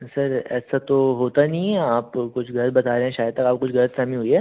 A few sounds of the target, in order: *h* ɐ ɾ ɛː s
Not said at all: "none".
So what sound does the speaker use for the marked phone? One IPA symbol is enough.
s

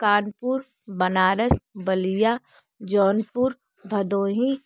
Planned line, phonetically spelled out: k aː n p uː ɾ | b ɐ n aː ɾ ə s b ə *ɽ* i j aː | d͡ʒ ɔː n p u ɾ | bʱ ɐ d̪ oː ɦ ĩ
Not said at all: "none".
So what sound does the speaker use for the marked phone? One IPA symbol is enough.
l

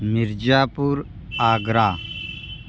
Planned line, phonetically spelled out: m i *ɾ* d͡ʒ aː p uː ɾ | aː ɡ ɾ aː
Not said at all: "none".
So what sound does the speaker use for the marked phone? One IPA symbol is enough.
ɾ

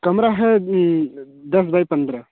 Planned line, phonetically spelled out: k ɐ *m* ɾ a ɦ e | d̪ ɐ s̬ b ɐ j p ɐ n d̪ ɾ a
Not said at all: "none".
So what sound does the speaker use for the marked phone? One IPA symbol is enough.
m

